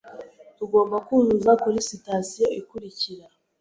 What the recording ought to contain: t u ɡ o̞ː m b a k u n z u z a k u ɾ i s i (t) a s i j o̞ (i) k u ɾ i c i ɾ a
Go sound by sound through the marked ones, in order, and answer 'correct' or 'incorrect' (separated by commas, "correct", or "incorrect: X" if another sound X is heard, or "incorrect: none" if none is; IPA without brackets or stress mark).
correct, correct